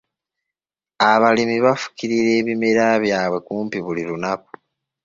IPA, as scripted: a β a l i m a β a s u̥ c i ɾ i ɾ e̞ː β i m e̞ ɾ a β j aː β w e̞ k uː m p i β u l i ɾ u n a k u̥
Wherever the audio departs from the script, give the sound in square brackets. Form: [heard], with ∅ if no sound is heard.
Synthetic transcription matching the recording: a β a l i m [i] β a [f] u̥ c i ɾ i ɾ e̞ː β i m e̞ ɾ a β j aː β w e̞ k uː m p i β u l i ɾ u n a k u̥